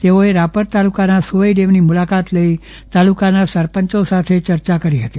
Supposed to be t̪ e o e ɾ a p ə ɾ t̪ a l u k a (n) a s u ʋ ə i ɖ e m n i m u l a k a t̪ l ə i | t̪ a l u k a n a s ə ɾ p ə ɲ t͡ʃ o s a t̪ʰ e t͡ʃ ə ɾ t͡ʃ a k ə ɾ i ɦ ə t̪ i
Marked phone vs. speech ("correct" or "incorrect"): correct